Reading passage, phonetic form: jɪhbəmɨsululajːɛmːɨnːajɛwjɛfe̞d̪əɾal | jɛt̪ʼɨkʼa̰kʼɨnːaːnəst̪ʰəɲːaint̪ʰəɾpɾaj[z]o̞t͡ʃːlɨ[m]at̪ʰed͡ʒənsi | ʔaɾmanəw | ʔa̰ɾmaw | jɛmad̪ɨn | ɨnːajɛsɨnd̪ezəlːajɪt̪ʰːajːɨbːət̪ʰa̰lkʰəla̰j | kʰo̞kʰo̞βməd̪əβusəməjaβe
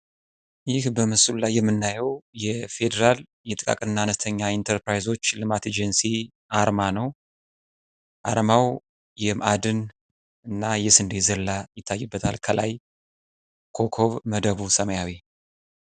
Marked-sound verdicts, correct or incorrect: correct, correct

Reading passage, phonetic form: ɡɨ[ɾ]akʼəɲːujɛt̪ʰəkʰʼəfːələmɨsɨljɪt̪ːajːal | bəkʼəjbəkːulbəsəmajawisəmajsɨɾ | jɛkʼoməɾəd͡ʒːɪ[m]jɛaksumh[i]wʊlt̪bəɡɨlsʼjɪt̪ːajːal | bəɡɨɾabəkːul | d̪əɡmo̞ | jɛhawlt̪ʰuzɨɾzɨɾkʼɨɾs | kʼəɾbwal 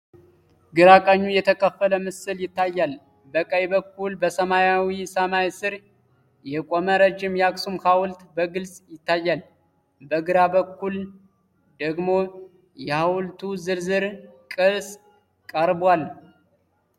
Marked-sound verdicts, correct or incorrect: correct, correct, incorrect: a

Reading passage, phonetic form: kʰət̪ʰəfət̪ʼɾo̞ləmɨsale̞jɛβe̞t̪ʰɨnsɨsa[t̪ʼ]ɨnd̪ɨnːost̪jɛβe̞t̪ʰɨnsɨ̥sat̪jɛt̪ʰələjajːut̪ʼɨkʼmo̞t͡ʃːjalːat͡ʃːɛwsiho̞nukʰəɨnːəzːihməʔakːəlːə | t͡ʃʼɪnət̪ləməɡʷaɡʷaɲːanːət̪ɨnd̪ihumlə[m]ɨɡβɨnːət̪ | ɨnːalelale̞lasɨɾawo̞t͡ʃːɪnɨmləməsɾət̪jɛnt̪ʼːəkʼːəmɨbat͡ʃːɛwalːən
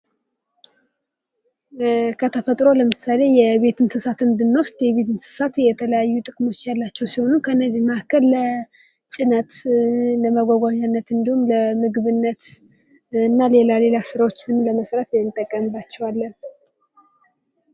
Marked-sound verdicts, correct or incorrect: incorrect: t̪, correct

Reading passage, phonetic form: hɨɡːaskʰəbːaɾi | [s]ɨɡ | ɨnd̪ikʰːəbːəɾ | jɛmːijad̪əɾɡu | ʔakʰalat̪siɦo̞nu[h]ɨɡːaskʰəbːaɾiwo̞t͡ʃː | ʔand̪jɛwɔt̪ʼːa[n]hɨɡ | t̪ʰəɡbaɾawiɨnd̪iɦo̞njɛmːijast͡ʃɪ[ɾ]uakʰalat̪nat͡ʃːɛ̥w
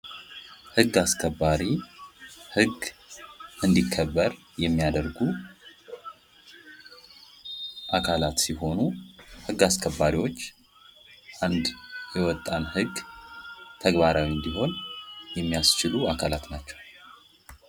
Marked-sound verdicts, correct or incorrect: incorrect: h, correct, correct, incorrect: l

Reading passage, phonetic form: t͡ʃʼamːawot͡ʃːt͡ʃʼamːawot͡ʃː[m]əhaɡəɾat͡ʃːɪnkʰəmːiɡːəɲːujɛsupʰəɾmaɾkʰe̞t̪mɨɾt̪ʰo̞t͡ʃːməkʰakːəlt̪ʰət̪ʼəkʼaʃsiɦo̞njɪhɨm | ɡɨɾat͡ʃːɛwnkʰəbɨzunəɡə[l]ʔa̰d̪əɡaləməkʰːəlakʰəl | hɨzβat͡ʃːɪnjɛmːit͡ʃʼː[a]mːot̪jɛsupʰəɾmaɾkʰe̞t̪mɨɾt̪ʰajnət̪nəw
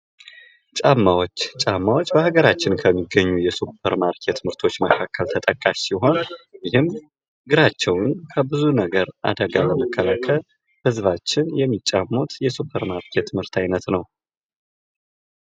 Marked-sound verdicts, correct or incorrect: incorrect: b, incorrect: ɾ, correct

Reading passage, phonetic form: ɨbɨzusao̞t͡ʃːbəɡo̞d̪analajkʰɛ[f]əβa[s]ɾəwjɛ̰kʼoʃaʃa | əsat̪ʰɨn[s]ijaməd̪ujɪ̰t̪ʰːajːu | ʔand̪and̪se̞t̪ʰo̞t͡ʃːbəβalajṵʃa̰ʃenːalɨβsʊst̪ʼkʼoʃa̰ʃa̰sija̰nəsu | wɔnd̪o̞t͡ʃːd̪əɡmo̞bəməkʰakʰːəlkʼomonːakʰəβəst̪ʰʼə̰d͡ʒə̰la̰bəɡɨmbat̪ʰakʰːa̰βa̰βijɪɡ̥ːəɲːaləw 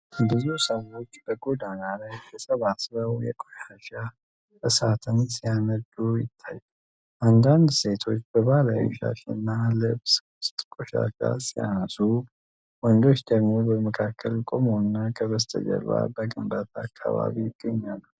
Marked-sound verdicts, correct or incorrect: incorrect: s, correct, correct

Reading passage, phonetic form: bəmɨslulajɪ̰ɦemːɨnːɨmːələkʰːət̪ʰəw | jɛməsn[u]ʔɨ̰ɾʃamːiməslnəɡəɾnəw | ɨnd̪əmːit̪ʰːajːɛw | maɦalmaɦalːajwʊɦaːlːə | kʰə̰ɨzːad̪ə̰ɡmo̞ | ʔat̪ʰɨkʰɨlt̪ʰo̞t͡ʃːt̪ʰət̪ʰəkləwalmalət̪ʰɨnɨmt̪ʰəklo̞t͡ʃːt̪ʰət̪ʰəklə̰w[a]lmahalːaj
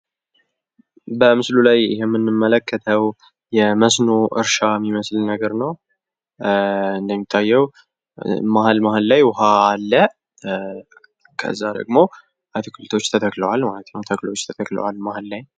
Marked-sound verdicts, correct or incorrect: incorrect: o, correct

